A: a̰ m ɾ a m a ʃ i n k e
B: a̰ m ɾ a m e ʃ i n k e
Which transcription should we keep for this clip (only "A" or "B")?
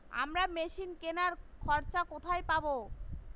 B